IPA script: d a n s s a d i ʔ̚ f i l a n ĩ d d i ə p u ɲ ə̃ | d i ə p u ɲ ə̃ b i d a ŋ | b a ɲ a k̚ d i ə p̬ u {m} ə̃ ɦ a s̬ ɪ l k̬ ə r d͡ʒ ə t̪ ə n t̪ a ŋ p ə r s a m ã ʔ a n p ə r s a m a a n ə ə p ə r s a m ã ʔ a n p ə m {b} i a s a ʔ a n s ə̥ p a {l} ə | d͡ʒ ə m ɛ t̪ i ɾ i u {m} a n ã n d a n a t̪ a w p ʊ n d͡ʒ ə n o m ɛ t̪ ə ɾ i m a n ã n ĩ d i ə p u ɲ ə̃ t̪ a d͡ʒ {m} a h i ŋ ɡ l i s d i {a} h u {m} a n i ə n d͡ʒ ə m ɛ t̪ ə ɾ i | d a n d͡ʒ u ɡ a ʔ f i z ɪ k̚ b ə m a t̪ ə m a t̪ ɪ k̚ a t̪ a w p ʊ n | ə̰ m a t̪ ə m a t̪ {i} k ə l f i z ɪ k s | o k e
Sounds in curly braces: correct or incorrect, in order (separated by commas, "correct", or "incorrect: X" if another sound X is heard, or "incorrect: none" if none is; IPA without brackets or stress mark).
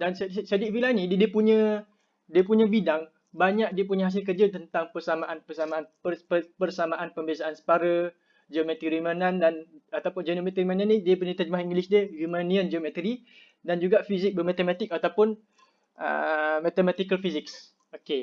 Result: incorrect: ɲ, correct, incorrect: ɾ, correct, correct, incorrect: ə, correct, correct